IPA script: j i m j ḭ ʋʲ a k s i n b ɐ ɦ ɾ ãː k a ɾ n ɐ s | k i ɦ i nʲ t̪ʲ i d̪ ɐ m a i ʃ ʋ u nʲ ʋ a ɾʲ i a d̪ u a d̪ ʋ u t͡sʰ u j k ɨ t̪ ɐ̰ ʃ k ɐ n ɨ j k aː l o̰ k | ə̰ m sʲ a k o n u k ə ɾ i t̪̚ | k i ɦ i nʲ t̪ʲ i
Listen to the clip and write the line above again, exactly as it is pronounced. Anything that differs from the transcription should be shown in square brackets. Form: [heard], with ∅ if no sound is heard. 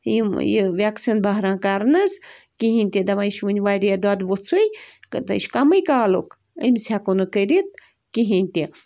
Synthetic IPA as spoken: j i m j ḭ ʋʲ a k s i n b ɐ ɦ ɾ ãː k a ɾ n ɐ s | k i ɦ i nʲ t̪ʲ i d̪ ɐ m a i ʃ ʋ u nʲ ʋ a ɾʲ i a d̪ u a d̪ ʋ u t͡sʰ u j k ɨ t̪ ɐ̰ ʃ k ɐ [m] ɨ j k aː l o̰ k | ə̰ m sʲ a k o n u k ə ɾ i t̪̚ | k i ɦ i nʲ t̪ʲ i

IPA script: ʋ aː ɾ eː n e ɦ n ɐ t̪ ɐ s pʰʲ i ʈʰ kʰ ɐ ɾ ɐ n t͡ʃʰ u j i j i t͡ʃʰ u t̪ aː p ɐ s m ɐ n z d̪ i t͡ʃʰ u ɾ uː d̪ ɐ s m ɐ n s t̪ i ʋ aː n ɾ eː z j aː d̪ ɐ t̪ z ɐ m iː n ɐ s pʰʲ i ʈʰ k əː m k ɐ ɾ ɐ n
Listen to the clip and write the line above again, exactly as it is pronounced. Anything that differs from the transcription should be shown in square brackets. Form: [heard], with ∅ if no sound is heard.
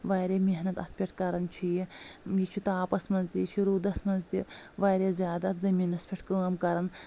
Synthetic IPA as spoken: ʋ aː ɾ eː [m] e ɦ n ɐ t̪ ɐ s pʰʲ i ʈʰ [k] ɐ ɾ ɐ n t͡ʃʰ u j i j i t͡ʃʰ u t̪ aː p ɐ s m ɐ n z [t̪] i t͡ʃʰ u ɾ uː d̪ ɐ s m ɐ n [z] t̪ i ʋ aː [∅] ɾ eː z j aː d̪ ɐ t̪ z ɐ m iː n ɐ s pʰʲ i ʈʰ k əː m k ɐ ɾ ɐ n

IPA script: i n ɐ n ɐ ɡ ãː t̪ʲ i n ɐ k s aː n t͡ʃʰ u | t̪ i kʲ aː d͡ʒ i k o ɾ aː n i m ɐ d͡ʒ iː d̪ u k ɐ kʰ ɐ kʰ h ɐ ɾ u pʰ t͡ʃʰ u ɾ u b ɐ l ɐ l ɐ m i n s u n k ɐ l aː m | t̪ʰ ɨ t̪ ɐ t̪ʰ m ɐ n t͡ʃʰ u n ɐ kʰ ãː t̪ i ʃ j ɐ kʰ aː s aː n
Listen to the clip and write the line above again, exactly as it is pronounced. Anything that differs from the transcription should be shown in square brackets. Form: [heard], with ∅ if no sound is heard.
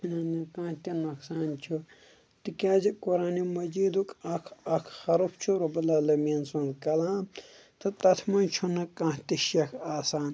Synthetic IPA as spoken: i n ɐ n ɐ [k] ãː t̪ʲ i n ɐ k s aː n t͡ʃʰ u | t̪ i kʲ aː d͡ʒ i k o ɾ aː n i m ɐ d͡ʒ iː d̪ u k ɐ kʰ ɐ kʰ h ɐ ɾ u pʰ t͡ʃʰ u ɾ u b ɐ l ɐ l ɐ m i n s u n k ɐ l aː m | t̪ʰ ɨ t̪ ɐ t̪ʰ m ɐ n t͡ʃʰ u n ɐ [k] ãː t̪ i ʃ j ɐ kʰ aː s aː n

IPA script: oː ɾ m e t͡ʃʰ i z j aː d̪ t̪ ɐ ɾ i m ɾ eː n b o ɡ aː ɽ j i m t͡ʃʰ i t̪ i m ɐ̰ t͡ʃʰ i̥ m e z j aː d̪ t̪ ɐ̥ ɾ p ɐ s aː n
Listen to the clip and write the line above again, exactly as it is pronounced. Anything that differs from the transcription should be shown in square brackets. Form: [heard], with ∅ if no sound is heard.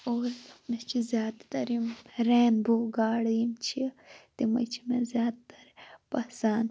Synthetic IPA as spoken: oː ɾ m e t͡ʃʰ i z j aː d̪ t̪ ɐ ɾ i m ɾ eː n b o ɡ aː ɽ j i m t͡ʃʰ i t̪ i m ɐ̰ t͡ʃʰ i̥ m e z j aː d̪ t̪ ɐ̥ ɾ p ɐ s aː n

